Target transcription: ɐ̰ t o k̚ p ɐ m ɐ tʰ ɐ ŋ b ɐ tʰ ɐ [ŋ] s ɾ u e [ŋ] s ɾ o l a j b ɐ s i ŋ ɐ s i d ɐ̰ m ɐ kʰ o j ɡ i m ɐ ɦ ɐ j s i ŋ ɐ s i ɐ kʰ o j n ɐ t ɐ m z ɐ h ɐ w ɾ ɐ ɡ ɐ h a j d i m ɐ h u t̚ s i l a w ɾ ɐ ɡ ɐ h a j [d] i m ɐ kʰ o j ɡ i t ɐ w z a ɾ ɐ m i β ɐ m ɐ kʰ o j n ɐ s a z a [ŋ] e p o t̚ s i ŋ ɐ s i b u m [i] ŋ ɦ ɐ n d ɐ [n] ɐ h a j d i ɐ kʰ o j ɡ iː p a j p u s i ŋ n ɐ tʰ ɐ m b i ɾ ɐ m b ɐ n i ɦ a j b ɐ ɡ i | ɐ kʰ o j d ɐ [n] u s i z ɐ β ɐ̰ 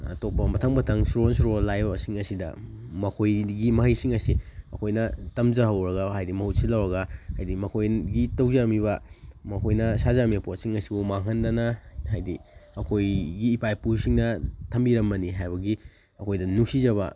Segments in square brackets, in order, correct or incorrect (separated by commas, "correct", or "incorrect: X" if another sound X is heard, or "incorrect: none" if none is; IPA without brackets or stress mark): correct, incorrect: n, correct, incorrect: m, incorrect: a, correct, correct